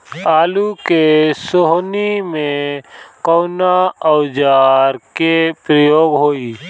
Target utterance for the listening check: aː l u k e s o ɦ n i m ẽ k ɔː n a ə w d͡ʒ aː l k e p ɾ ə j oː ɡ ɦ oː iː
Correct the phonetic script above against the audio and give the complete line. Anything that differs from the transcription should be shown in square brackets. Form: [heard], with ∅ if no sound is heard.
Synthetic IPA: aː l u k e s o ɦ n i m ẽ k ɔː n a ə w d͡ʒ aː [ɾ] k e p ɾ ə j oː ɡ ɦ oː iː